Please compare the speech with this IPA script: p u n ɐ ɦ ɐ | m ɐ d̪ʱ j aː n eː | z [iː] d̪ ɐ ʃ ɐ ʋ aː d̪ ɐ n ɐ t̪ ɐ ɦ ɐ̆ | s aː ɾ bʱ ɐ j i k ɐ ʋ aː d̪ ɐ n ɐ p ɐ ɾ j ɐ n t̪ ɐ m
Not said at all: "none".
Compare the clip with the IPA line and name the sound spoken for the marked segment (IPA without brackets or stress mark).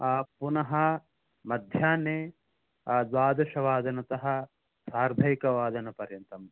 aː